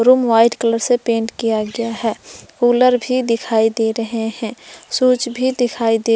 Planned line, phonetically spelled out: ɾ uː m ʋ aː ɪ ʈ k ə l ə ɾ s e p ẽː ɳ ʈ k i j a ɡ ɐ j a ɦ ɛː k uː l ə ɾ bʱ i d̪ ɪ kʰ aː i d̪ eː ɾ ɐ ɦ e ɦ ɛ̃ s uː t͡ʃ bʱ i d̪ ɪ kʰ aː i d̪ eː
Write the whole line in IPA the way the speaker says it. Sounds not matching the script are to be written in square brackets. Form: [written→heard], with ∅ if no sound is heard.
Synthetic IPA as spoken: ɾ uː m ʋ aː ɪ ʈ k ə l ə ɾ s e p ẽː ɳ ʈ k i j a ɡ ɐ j a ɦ ɛː k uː l ə ɾ bʱ i d̪ ɪ kʰ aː i d̪ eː ɾ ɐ ɦ e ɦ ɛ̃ s uː t͡ʃ bʱ i d̪ ɪ kʰ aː i d̪ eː